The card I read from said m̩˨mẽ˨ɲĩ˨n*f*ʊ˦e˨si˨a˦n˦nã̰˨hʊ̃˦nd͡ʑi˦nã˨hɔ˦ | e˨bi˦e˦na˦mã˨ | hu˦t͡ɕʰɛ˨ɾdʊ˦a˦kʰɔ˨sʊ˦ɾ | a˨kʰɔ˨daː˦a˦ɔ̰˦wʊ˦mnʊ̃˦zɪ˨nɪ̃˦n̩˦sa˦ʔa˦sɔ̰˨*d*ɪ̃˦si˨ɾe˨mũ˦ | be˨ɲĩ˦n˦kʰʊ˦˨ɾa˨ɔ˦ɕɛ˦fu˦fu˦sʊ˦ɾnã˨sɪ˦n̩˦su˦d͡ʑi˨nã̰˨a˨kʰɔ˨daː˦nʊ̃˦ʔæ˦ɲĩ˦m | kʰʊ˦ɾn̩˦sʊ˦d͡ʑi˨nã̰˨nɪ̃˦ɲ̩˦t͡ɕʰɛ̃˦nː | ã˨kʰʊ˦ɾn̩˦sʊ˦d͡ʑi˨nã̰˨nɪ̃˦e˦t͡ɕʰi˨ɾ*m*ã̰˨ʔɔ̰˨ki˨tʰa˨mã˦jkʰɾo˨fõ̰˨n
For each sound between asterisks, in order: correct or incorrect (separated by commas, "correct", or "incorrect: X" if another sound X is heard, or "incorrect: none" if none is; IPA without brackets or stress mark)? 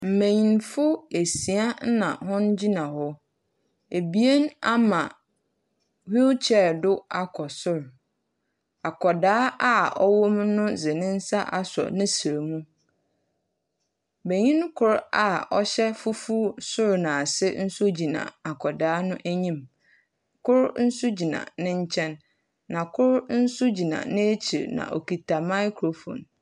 correct, incorrect: n, incorrect: n